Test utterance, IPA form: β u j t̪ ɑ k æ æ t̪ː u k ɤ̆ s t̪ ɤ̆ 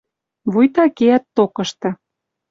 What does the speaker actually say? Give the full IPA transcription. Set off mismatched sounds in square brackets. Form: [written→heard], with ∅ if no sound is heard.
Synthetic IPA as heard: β u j t̪ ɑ k [æ→e] æ t̪ː [u→o] k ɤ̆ [s→ʃ] t̪ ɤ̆